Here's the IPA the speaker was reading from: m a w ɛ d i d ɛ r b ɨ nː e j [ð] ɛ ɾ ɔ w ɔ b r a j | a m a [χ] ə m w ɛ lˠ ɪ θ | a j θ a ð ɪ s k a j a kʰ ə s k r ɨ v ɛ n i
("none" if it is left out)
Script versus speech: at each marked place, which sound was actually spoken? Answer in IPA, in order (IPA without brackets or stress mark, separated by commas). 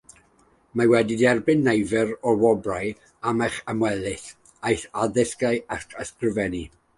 v, χ